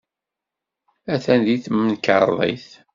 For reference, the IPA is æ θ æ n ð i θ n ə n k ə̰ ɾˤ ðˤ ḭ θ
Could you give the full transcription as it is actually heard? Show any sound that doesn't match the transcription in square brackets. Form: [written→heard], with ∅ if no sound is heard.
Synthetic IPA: æ θ æ n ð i θ [n→m] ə n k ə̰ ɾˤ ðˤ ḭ θ